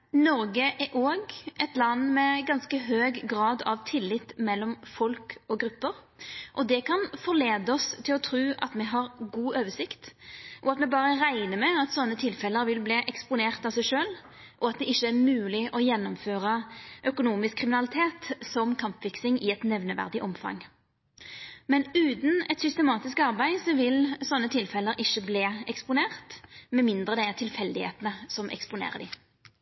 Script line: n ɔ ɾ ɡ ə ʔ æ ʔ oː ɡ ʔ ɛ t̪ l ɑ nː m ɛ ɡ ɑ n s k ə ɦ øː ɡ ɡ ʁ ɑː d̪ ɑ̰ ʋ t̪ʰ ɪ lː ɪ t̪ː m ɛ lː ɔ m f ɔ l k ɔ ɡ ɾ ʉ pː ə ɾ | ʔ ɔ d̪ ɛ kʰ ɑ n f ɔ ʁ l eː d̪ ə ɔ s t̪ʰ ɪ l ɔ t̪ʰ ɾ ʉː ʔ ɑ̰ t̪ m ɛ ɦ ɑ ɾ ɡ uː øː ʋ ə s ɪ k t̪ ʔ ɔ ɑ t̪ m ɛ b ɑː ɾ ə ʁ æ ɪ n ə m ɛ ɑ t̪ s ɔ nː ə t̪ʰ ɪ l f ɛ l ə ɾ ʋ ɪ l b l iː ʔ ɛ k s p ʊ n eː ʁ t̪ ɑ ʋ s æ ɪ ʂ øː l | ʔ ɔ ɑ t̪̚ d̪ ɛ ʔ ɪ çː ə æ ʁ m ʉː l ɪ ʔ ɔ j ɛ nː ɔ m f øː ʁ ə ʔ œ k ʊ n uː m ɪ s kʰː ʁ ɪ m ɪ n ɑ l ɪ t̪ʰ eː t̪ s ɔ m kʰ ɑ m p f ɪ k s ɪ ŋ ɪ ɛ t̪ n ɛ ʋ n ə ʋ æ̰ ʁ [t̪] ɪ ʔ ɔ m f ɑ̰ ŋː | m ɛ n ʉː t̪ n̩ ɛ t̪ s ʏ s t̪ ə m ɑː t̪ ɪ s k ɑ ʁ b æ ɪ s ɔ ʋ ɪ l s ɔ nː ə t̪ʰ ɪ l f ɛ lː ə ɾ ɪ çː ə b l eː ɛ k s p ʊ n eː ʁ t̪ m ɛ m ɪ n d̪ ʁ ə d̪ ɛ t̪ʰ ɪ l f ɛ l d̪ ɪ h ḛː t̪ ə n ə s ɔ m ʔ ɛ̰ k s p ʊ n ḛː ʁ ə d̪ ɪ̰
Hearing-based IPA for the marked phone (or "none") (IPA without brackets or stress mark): d̪